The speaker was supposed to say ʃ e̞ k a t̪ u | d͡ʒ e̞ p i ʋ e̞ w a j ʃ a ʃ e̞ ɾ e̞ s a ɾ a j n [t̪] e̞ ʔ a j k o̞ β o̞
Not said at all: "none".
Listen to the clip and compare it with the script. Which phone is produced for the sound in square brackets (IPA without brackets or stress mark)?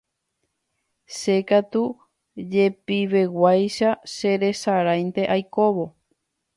t̪